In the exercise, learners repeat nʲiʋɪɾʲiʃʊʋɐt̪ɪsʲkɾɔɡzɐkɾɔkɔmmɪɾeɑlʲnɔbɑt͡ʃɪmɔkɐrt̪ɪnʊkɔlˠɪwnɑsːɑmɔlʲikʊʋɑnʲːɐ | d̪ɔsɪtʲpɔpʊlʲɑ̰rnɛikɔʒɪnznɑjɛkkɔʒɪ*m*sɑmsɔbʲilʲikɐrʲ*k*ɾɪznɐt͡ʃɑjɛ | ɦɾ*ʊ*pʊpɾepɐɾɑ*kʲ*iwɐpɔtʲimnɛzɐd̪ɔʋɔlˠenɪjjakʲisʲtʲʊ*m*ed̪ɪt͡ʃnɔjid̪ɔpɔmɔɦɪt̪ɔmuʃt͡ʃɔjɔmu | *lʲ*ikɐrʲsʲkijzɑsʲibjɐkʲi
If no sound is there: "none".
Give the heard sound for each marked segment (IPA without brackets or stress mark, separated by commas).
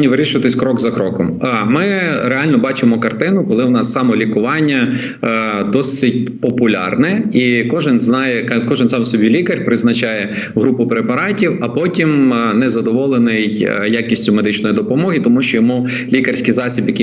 n, p, u, tʲ, m, lʲ